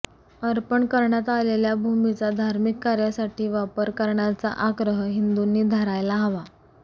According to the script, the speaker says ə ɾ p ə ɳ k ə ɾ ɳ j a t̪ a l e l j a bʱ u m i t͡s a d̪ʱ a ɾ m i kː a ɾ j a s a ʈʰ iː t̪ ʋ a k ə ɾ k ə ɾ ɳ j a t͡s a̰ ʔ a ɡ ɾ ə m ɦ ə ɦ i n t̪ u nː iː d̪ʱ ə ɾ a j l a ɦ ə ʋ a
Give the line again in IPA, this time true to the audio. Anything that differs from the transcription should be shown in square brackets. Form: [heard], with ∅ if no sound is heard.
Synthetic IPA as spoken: ə ɾ p ə ɳ k ə ɾ ɳ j a t̪ a l e l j a bʱ u m i t͡s a d̪ʱ a ɾ m i kː a ɾ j a s a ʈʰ iː [∅] ʋ a [p] ə ɾ k ə ɾ ɳ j a t͡s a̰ ʔ a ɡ ɾ ə [∅] ɦ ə ɦ i n [d̪] u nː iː d̪ʱ ə ɾ a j l a ɦ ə ʋ a